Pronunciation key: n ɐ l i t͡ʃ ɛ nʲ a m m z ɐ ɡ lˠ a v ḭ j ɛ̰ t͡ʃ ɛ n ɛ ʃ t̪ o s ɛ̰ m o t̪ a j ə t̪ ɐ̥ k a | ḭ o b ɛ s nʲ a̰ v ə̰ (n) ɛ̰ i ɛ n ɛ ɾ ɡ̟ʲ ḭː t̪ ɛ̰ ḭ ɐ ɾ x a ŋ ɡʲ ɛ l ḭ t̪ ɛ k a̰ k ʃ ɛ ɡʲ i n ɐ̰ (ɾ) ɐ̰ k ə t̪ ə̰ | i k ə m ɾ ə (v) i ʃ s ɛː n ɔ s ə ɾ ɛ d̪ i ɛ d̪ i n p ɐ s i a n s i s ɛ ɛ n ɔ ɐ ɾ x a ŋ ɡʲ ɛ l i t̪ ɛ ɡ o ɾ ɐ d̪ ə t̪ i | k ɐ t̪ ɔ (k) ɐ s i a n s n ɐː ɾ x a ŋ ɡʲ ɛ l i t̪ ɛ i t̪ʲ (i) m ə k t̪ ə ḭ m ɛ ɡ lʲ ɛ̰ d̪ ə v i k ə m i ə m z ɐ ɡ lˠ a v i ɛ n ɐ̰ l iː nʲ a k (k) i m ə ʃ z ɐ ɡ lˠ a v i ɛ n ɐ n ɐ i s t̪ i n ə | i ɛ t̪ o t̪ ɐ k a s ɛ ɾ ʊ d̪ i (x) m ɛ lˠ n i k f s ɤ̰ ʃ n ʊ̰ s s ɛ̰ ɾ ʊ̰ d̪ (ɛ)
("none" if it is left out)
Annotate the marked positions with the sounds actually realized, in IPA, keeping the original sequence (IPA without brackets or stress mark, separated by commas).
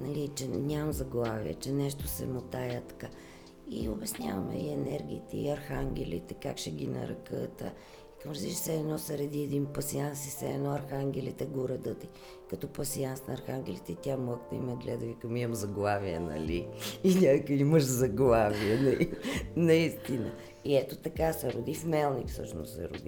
m, ɾ, z, p, a, k, f, i